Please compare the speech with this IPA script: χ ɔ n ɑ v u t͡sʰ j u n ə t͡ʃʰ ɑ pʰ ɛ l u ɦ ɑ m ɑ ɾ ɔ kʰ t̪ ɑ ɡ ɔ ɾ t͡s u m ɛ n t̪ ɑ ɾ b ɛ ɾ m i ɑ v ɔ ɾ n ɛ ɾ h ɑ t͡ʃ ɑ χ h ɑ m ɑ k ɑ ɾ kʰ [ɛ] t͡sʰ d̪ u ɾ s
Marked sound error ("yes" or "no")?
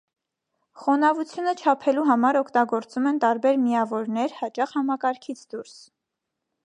yes